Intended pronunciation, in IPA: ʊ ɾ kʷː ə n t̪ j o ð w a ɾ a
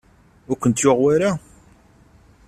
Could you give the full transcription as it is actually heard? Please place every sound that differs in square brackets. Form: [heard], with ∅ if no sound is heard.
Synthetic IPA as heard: ʊ ɾ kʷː ə n t̪ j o [ʁ] w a ɾ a